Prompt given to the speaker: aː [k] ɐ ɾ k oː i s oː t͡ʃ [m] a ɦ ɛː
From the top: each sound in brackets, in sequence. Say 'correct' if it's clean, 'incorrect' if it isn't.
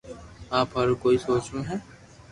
incorrect, incorrect

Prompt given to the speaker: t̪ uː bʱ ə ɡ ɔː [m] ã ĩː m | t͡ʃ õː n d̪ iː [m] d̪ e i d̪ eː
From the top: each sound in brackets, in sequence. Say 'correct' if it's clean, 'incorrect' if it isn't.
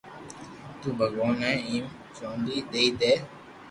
incorrect, incorrect

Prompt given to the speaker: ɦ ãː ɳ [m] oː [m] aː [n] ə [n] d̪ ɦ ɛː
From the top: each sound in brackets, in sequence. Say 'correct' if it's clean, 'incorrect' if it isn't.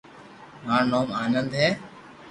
incorrect, correct, correct, correct

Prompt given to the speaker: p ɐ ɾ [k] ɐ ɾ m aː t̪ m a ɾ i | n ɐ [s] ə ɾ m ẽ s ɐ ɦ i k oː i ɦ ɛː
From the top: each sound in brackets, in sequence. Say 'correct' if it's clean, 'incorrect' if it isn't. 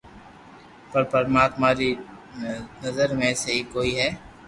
incorrect, incorrect

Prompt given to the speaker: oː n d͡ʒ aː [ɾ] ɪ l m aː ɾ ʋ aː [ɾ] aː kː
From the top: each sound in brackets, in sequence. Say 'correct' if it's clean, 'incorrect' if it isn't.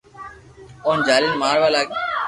incorrect, incorrect

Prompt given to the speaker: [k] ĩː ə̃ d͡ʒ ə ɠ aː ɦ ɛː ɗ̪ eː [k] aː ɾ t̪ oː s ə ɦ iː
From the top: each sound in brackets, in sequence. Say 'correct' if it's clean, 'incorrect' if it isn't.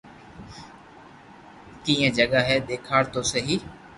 correct, incorrect

